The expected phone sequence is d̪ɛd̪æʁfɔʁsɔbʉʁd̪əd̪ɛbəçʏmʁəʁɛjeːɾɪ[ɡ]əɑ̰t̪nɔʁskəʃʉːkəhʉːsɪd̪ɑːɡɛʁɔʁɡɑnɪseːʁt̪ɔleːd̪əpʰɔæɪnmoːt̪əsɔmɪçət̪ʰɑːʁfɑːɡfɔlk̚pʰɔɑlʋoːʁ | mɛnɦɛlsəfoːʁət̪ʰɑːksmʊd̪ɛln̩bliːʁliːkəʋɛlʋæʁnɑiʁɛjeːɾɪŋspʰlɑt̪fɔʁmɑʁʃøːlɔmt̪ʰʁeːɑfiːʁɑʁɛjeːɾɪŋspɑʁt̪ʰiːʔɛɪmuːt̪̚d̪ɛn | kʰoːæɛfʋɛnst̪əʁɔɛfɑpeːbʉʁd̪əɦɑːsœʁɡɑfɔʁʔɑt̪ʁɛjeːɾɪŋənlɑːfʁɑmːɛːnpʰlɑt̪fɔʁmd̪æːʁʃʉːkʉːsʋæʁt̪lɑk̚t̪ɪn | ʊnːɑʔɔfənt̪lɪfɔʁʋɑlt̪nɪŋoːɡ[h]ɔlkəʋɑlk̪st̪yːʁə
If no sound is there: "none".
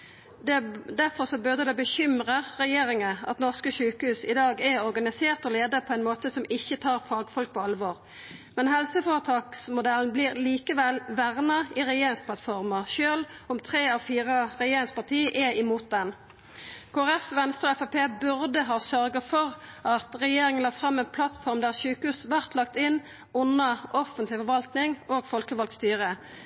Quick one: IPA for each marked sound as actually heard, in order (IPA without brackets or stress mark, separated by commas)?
ŋ, f